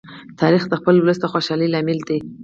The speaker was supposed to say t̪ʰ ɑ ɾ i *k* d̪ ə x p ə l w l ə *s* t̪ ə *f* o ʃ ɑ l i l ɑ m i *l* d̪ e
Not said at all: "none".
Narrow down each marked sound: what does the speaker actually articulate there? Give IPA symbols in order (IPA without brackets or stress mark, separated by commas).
x, s, x, l